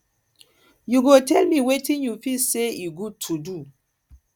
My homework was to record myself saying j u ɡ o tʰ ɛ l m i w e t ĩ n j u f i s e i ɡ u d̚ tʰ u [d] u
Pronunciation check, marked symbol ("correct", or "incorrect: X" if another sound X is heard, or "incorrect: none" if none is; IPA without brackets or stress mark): correct